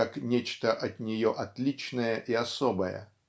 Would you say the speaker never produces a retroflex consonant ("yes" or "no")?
yes